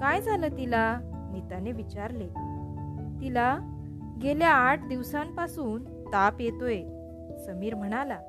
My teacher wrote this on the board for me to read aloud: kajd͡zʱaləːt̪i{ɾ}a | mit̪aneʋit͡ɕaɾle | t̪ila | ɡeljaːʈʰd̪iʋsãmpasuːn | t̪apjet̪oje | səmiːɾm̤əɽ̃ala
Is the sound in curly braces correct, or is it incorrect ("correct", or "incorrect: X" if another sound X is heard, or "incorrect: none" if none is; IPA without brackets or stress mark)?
incorrect: l